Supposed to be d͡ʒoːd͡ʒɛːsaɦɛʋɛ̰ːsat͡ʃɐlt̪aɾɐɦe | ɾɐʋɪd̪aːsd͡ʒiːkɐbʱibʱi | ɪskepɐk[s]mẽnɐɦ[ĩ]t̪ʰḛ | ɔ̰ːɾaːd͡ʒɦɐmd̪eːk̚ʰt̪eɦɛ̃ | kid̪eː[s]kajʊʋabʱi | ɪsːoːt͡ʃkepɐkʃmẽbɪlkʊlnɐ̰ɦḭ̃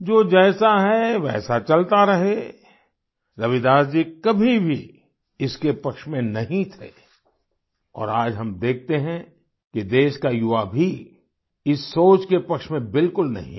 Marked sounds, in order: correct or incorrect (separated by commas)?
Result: incorrect, correct, incorrect